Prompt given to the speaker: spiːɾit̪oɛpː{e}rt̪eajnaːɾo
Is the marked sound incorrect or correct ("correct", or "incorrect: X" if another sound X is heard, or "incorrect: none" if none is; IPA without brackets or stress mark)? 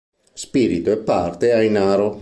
incorrect: a